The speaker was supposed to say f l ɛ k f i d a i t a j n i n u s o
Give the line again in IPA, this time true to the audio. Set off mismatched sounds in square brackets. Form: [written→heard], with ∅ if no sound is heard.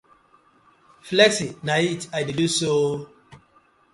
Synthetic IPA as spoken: f l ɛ k [f→s] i [d→n] a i t a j [n→d] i [n→d] u s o

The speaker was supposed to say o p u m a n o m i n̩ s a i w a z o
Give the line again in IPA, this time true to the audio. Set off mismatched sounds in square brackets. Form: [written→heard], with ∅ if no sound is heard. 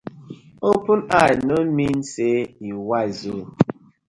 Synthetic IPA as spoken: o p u [m→n] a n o m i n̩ s [a→e] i w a z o

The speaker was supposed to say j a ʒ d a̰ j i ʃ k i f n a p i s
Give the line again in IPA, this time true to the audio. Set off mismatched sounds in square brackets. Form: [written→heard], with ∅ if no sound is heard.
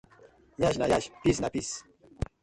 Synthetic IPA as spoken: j a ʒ [d→n] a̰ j [i→a] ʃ [k→p] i [f→s] n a p i s

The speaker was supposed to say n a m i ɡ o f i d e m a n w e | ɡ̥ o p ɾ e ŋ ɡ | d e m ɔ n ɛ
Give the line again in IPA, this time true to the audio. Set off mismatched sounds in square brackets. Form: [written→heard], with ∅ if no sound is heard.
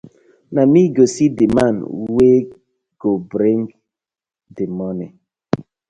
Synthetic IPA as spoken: n a m i ɡ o [f→s] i d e m a n w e | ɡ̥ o [p→b] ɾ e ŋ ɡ | d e m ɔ n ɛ

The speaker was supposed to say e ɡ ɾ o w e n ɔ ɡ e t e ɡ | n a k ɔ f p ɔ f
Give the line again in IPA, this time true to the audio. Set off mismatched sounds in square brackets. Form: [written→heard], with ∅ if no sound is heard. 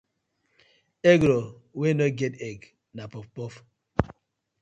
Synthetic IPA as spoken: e ɡ ɾ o w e n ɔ ɡ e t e ɡ | n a [k→p] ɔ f p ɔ f

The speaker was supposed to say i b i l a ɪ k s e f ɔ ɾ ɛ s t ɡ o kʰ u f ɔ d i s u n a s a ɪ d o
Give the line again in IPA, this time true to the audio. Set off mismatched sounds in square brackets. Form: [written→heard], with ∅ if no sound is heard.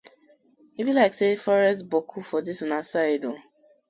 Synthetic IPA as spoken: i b i l a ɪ k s e f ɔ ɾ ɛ s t [ɡ→b] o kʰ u f ɔ d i s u n a s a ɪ d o

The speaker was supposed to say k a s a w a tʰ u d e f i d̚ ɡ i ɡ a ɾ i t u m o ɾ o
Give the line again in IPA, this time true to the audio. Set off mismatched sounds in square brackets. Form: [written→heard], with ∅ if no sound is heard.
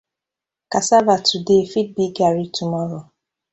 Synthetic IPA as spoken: k a s a [w→v] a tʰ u d e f i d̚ [ɡ→b] i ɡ a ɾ i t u m [o→ɔ] ɾ o

